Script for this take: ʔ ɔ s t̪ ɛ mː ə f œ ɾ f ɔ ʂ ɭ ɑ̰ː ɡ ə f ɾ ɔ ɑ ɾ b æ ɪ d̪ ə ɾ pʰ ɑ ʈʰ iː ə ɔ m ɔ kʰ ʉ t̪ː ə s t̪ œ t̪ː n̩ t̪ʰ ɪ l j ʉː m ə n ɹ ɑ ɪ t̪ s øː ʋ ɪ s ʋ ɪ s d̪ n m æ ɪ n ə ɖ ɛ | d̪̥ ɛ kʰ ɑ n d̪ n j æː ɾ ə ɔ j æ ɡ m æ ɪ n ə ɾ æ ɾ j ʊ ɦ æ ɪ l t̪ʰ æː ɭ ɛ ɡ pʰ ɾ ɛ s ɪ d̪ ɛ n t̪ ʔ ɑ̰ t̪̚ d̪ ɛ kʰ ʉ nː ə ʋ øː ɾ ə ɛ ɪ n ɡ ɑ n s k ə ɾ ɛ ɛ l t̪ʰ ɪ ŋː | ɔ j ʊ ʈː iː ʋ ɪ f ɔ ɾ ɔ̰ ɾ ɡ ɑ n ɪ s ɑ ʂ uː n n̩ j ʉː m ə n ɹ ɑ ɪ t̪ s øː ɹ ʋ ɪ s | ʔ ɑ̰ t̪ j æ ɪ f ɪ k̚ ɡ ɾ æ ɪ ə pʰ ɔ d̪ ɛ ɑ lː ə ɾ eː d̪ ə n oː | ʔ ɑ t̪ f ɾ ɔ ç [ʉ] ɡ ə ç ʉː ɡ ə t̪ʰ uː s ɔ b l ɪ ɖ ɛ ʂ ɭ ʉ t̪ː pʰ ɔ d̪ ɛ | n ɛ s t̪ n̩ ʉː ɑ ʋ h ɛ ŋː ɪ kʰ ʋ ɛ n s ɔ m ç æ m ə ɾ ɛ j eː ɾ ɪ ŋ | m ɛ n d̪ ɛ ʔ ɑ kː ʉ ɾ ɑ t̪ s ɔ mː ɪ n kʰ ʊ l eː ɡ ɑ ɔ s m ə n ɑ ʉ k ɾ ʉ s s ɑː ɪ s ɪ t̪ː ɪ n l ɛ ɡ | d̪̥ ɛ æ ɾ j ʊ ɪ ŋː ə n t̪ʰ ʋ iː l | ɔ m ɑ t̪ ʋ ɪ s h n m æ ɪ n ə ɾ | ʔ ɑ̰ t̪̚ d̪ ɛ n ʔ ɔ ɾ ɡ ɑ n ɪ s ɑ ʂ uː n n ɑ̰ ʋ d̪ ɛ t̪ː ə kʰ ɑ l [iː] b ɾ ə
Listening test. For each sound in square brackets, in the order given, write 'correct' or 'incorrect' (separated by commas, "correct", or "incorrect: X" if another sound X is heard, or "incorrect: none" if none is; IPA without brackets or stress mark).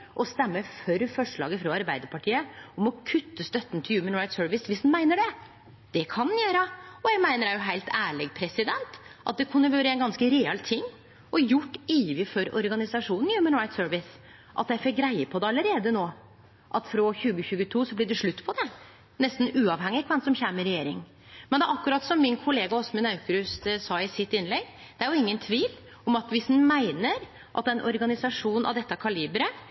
incorrect: ʉː, correct